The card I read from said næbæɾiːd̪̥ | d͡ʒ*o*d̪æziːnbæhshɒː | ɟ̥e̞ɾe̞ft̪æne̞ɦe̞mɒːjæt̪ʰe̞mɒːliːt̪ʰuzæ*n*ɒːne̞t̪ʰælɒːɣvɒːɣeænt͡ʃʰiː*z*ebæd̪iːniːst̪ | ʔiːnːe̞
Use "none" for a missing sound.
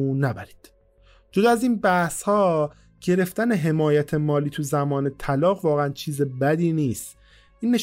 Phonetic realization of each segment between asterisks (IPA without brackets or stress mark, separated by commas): o, m, z